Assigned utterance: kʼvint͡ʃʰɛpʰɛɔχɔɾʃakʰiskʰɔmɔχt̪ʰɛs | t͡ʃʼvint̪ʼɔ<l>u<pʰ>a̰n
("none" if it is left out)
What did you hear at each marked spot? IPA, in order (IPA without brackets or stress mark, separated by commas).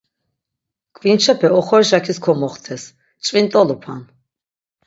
l, pʰ